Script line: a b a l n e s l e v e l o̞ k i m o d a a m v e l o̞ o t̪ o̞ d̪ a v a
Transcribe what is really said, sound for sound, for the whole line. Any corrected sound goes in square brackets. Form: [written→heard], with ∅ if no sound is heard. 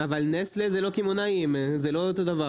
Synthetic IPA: a [b→v] a l n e s l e [v→z] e l o̞ k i m o [d→n] a [a→i] m [v→z] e l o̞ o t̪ o̞ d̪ a v a

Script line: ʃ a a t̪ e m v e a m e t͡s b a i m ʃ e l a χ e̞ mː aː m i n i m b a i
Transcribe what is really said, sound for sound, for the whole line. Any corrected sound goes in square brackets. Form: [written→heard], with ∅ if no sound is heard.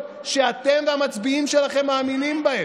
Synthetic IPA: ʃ [a→e] a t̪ e m v e a m [e→a] t͡s b [a→i] i m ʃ e l a χ e̞ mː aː m i n i m b a [i→e]

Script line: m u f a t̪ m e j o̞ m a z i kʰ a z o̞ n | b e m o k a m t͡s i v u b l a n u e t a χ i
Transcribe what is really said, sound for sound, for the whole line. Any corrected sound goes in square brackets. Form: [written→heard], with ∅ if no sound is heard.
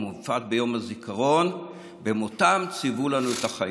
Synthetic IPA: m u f a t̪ [m→b] e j o̞ m a z i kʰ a [z→ʁ] o̞ n | b e m o [k→t] a m t͡s i v u [b→∅] l a n u e t a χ [i→a]

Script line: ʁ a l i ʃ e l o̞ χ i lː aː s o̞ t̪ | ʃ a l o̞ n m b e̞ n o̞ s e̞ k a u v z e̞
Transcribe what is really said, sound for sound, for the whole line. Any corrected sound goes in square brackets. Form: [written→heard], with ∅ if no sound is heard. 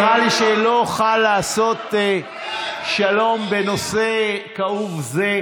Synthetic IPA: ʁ a l i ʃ e l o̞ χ [i→a] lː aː s o̞ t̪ | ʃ a l o̞ [n→∅] m b e̞ n o̞ s e̞ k a u v z e̞

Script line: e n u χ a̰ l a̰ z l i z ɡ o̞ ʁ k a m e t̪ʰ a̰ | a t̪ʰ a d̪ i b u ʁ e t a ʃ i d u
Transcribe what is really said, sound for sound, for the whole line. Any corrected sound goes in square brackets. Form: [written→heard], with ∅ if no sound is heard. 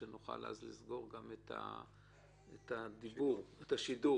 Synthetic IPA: e n u χ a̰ l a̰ z l i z ɡ o̞ ʁ [k→ɡ] a m e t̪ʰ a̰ | [a→e] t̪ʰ a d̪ i b u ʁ e t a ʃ i d u

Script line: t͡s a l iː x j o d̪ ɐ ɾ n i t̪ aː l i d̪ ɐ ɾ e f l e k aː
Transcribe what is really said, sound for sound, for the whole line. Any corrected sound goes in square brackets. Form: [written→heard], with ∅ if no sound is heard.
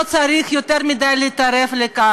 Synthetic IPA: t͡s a [l→ɾ] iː x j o [d̪→t̪] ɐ ɾ [n→m] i [t̪→d̪] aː l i [d̪→t̪] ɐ ɾ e f l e k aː

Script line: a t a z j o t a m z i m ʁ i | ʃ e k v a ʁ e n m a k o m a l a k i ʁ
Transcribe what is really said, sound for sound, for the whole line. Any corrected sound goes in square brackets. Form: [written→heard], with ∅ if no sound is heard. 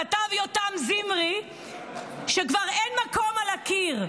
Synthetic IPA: a t a [z→v] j o t a m z i m ʁ i | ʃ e k v a ʁ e n m a k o m a l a k i ʁ

